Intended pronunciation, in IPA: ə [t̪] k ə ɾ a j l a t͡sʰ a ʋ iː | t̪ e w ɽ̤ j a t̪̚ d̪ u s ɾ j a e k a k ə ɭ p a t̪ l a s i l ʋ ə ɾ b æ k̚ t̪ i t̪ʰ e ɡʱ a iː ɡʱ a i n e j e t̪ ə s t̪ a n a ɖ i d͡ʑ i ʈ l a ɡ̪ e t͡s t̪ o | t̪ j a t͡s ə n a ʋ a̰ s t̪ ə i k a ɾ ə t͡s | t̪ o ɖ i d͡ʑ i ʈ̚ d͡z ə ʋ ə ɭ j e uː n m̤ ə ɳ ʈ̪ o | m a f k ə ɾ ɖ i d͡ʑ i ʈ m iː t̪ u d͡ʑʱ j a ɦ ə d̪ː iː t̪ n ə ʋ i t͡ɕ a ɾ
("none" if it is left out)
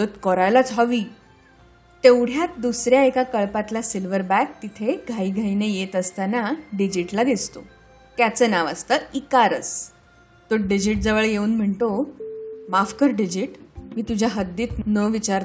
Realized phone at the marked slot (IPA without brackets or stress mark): t̪